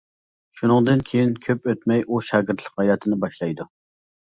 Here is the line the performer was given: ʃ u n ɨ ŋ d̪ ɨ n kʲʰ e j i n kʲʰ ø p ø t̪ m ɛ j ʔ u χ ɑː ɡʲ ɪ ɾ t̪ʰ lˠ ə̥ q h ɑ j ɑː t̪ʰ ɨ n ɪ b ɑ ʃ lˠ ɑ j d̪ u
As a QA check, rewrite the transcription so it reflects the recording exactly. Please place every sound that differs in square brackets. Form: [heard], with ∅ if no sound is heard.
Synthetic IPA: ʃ u n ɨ ŋ d̪ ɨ n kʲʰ e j i n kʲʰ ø p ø t̪ m ɛ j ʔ u [ʃ] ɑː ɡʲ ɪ ɾ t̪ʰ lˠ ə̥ q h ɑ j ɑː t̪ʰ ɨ n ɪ b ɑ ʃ lˠ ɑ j d̪ u